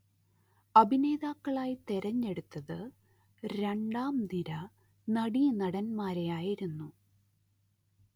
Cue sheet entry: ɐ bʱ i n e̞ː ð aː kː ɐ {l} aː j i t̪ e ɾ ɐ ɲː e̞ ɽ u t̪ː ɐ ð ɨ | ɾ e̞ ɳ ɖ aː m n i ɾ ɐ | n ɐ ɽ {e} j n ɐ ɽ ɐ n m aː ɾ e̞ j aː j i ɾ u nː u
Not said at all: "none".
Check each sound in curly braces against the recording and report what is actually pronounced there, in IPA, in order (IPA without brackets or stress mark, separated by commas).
ɭ, i